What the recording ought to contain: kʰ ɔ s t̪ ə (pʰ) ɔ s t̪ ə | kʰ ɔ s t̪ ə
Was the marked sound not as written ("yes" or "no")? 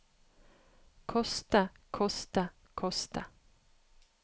yes